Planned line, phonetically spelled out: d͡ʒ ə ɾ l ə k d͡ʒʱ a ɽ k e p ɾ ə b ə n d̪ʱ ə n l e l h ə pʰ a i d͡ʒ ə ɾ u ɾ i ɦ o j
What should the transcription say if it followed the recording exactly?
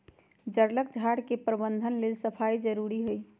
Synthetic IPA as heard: d͡ʒ ə ɾ l ə k d͡ʒʱ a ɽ k e p ɾ ə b ə n d̪ʱ ə n l e l s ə pʰ a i d͡ʒ ə ɾ u ɾ i ɦ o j